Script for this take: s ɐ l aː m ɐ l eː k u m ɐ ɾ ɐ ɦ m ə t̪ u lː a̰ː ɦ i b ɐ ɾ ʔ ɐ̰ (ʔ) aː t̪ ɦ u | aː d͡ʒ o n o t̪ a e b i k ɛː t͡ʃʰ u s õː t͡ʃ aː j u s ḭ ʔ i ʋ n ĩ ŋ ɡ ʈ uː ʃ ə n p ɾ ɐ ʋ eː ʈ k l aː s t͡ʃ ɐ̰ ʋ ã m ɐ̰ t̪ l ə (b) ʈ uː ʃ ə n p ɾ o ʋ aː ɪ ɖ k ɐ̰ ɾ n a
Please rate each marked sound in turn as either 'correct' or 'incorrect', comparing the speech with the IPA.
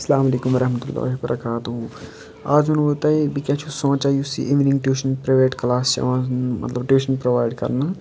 incorrect: k, correct

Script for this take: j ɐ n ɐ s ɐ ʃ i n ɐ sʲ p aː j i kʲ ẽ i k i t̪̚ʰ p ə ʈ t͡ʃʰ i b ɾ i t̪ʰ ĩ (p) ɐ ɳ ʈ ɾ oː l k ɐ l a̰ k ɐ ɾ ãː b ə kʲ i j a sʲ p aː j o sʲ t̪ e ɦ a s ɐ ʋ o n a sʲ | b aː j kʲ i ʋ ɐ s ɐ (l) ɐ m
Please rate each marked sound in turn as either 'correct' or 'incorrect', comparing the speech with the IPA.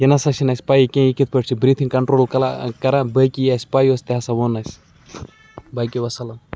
incorrect: k, correct

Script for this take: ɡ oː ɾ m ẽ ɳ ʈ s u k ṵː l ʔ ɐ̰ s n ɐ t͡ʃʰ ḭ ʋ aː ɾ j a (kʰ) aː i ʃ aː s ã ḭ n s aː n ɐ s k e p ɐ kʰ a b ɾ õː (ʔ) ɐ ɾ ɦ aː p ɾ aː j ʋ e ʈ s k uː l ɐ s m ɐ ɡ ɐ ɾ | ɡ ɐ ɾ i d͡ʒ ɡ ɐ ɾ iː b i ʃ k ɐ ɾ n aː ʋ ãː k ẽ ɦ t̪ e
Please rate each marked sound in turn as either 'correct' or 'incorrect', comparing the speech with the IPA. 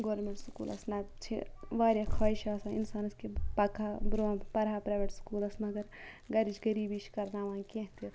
correct, incorrect: p

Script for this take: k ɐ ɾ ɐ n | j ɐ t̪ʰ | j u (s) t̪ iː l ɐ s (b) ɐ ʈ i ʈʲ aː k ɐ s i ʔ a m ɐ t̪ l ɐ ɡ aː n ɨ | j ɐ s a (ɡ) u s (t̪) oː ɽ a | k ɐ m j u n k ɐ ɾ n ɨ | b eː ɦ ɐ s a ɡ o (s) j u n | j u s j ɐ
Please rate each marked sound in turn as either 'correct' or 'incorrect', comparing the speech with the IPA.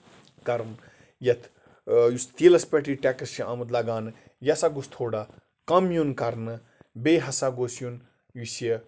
correct, incorrect: p, correct, incorrect: t̪ʰ, correct

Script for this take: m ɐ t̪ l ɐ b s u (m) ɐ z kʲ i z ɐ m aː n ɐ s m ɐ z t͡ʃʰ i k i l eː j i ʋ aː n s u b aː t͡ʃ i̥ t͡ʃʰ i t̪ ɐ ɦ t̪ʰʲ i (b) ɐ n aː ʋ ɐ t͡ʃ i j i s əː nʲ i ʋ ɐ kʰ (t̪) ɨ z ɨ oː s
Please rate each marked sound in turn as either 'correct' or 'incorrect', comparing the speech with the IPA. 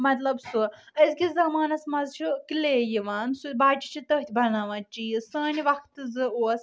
incorrect: none, correct, correct

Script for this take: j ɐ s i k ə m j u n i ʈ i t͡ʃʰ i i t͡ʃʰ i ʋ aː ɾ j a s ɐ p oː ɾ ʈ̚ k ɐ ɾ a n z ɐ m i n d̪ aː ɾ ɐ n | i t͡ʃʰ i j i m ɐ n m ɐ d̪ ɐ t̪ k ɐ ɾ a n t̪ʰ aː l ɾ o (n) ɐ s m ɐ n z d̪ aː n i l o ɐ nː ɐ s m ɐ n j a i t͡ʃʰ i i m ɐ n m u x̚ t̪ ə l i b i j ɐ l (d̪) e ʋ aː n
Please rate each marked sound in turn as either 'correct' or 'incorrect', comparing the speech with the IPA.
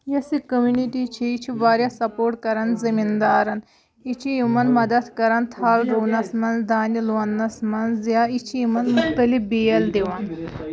correct, correct

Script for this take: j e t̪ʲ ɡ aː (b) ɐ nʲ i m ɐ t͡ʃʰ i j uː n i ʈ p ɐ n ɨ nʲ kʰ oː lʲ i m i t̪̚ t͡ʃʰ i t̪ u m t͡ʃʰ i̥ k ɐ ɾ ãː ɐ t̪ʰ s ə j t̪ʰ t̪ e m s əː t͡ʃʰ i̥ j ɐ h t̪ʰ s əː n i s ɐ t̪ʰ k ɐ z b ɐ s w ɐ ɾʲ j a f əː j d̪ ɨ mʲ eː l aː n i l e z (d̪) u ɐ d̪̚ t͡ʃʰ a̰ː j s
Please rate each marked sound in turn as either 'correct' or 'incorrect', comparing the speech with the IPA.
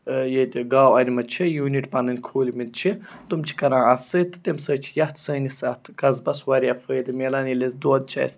incorrect: w, correct

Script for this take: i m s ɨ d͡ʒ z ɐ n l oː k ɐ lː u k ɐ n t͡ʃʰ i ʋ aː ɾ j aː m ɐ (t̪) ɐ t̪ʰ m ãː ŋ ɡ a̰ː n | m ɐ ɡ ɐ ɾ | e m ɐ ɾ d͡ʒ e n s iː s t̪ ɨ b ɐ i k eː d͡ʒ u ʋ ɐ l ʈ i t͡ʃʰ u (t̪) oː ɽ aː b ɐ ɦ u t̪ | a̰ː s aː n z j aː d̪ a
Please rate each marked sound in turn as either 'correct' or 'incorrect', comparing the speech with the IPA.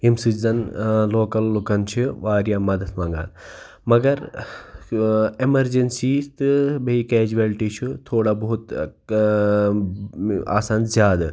incorrect: d̪, incorrect: t̪ʰ

